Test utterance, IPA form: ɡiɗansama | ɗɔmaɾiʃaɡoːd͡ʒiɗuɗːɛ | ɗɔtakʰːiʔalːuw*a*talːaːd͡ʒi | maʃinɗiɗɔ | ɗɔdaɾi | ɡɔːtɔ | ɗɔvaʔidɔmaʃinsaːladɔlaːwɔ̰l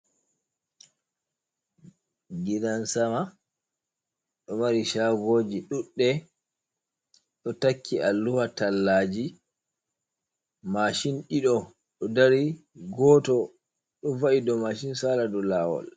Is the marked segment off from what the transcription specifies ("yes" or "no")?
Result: no